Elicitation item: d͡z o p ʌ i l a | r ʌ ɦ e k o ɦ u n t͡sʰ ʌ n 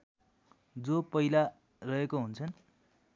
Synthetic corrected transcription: d͡z o p ʌ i l a | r ʌ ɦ e k o ɦ u n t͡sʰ ʌ n